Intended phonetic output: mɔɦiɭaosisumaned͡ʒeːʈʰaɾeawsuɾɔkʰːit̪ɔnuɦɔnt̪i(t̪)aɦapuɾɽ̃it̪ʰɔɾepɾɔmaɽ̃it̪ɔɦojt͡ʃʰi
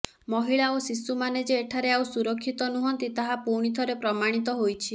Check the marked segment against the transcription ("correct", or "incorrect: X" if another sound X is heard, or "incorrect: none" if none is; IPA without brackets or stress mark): correct